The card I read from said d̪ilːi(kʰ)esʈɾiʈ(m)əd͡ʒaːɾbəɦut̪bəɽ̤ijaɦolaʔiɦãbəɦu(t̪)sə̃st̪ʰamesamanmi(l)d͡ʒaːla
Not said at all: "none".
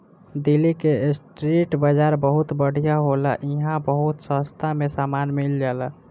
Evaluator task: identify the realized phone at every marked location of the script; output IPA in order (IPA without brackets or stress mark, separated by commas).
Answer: k, b, t̪, l